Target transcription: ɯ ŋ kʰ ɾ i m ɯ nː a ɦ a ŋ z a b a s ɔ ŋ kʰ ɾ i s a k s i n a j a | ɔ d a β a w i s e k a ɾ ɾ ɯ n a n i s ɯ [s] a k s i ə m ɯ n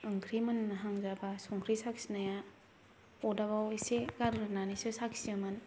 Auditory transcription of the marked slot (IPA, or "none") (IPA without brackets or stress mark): s